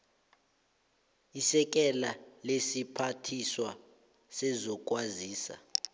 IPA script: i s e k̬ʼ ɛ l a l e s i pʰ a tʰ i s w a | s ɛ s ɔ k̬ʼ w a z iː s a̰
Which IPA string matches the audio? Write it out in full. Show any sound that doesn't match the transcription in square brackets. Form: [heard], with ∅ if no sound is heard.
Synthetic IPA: i s [ɛ] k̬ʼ ɛ l a l e s i pʰ a tʰ i s w a | s ɛ [z] ɔ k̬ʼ w a z iː s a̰